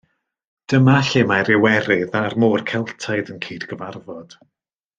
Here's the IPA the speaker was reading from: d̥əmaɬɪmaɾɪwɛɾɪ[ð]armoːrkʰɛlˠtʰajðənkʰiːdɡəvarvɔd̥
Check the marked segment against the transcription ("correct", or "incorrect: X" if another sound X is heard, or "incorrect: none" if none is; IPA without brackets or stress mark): correct